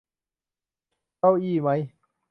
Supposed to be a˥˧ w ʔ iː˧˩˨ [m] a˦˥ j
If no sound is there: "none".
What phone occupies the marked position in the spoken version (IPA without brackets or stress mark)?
m